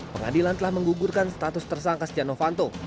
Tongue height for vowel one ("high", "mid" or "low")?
mid